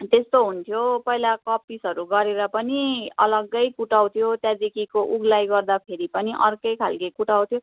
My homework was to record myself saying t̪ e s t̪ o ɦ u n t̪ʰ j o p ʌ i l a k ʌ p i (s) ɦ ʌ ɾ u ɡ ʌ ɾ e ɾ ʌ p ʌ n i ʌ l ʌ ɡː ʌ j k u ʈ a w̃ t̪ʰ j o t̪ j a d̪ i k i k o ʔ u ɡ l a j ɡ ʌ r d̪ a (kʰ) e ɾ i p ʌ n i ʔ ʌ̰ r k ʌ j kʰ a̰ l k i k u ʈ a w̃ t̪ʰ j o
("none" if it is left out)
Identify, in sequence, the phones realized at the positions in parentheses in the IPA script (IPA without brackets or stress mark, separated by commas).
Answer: s, pʰ